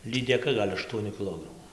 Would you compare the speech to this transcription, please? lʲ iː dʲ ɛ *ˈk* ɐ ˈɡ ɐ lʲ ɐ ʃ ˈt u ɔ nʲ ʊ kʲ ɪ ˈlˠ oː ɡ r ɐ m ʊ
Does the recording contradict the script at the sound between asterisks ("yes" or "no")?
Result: no